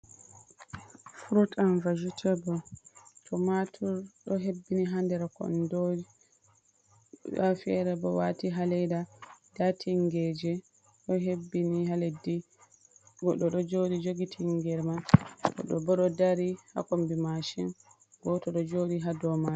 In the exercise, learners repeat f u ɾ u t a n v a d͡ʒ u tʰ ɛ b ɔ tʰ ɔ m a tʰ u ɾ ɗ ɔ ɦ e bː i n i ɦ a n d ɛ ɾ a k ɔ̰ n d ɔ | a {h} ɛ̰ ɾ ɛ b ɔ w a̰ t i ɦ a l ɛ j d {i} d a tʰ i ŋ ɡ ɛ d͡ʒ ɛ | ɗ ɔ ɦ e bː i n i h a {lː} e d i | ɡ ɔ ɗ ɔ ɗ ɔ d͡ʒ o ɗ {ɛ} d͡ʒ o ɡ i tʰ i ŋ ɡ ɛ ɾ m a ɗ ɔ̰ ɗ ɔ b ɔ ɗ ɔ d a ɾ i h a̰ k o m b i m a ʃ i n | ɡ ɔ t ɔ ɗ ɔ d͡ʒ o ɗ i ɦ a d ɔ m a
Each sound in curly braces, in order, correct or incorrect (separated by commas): incorrect, incorrect, incorrect, incorrect